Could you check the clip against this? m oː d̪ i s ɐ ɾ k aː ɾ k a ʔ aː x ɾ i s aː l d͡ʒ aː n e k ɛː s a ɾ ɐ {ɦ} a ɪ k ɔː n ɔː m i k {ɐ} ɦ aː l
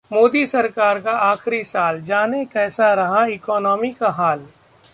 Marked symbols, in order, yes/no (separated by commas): yes, no